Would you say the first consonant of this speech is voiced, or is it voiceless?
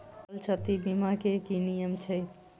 voiced